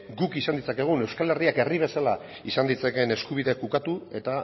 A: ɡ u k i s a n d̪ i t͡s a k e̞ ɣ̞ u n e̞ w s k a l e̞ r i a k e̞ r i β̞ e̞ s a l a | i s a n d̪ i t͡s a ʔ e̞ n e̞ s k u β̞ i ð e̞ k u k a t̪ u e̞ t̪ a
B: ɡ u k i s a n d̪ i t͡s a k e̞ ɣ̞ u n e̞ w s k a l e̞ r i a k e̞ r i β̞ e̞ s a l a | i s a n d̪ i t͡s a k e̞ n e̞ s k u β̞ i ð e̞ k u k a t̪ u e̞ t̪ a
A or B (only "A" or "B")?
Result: B